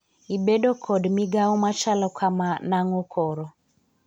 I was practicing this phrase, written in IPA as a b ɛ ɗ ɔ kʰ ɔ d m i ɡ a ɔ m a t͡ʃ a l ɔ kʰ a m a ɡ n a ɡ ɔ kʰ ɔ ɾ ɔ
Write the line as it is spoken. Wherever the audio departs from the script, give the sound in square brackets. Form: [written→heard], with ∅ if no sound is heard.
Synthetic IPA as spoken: [a→i] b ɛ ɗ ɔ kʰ ɔ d m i ɡ a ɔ m a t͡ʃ a l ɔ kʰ a m a [ɡ→∅] n a [ɡ→ŋ] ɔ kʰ ɔ ɾ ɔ